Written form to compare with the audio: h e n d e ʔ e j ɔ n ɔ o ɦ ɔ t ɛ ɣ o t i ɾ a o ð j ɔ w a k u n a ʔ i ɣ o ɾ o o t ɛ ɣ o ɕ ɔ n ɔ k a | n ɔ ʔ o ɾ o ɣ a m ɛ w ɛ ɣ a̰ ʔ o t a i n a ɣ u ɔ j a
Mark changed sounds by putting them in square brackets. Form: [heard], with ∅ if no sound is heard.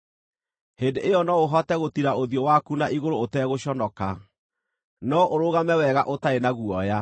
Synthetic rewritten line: h e n d e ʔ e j ɔ n ɔ o ɦ ɔ t ɛ ɣ o t i ɾ a o ð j ɔ w a k u n a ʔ i ɣ o ɾ o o t ɛ ɣ o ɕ ɔ n ɔ k a | n ɔ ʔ o ɾ o ɣ a m ɛ w ɛ ɣ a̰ ʔ o t a [e] n a ɣ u ɔ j a